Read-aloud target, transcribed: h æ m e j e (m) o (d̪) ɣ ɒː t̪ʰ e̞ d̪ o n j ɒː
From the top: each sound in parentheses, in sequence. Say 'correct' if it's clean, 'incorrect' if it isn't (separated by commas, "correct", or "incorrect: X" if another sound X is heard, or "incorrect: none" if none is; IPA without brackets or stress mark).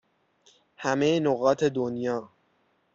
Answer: incorrect: n, incorrect: none